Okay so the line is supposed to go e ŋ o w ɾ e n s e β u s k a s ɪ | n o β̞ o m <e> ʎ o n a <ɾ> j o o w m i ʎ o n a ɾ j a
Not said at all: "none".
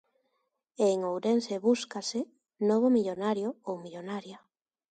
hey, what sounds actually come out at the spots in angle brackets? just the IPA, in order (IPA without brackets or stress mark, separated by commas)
i, ɾ